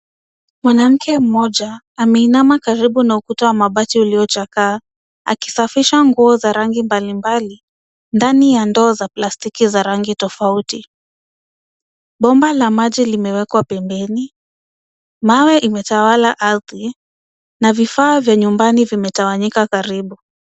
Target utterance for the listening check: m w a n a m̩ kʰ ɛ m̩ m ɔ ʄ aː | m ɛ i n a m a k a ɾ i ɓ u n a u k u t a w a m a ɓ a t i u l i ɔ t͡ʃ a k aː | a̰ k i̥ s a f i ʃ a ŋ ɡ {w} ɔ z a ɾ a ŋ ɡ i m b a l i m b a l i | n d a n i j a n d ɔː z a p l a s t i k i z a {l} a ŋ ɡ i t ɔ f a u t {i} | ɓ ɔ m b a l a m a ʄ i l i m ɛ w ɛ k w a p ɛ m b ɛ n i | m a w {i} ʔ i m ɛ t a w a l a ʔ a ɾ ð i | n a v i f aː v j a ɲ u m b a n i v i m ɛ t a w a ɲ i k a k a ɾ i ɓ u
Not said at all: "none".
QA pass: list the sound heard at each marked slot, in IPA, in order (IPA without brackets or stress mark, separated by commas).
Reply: u, ɾ, i, ɛ